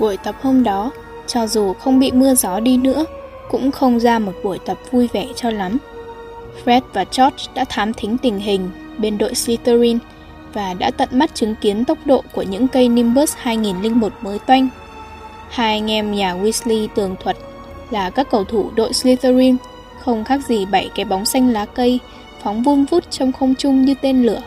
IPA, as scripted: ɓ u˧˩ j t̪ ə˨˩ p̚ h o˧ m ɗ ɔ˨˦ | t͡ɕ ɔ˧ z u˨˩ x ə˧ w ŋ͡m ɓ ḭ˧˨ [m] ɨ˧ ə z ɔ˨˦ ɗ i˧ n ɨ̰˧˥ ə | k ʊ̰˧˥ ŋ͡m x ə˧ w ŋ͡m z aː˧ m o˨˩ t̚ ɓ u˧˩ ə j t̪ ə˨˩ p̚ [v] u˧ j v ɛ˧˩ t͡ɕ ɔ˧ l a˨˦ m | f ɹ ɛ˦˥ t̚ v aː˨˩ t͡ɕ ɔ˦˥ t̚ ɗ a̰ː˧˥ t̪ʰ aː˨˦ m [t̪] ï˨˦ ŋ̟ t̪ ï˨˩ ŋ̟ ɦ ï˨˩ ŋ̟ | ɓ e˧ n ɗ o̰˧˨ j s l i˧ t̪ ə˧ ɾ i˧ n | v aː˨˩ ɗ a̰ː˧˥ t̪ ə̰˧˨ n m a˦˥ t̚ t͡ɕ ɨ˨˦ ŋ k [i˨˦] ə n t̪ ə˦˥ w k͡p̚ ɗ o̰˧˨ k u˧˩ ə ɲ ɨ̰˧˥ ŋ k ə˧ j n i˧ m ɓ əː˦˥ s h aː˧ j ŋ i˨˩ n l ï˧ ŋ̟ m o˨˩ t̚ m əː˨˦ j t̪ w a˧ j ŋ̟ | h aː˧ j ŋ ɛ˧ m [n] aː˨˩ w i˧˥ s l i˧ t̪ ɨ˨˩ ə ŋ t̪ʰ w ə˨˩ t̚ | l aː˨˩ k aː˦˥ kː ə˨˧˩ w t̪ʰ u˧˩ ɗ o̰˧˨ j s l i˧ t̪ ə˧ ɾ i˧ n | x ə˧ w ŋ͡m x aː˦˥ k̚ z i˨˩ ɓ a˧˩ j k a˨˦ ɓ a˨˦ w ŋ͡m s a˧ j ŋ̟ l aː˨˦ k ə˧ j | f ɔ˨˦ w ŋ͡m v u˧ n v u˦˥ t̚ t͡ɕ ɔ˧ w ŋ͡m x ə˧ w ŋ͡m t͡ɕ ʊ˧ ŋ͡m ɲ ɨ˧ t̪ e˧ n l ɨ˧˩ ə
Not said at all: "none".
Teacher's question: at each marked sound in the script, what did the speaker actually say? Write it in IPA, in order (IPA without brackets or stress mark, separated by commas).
m, v, t̪ʰ, i˨˦, ɲ